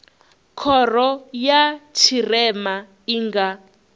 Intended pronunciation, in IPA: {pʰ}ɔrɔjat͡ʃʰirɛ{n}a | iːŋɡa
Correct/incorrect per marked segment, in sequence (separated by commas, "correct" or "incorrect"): incorrect, incorrect